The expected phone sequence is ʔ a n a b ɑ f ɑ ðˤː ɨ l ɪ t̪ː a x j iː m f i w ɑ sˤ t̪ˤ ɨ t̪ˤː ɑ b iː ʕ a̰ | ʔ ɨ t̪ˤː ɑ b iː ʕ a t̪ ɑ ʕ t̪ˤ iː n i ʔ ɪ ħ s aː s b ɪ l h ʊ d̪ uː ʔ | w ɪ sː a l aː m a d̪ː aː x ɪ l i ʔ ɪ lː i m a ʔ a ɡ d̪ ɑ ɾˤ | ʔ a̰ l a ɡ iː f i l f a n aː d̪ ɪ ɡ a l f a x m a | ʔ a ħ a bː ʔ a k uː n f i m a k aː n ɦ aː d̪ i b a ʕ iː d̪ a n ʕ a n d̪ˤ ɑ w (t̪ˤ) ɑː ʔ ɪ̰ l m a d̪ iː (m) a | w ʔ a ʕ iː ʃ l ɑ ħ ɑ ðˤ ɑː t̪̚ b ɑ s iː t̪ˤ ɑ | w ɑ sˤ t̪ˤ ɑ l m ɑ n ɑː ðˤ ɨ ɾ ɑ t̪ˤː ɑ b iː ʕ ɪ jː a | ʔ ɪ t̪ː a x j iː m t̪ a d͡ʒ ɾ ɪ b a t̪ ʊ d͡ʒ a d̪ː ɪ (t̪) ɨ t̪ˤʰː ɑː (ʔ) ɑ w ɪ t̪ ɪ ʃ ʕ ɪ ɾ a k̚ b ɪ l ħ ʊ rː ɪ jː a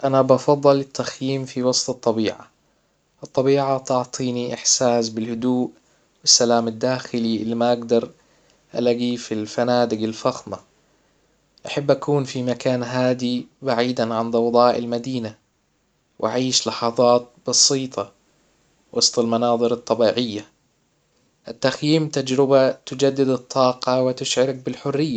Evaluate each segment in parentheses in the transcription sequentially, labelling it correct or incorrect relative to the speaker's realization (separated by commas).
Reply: incorrect, incorrect, incorrect, incorrect